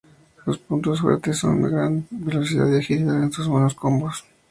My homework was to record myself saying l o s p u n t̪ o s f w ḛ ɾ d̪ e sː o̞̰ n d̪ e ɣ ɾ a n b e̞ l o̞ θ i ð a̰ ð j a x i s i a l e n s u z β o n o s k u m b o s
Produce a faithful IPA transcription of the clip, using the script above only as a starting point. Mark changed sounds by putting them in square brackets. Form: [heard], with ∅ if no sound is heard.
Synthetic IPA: l o s p u n t̪ o s f w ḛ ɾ [t̪] e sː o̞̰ n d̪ e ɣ ɾ a n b e̞ l o̞ [s] i ð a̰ ð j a x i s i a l e n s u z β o n o s k [o] m b o s